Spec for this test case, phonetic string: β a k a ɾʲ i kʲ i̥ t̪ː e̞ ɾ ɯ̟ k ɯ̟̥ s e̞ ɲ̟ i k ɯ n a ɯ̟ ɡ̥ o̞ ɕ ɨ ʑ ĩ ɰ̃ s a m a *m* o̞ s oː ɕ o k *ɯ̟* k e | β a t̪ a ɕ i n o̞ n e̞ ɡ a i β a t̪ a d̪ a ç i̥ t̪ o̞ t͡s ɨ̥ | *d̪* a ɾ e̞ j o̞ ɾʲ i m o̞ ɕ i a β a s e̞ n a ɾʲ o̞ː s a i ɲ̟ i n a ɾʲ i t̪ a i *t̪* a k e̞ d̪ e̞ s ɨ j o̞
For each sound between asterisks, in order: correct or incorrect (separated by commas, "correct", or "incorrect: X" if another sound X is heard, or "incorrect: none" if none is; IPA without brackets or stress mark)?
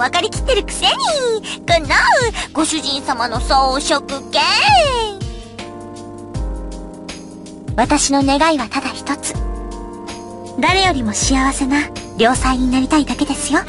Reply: incorrect: n, correct, correct, incorrect: d̪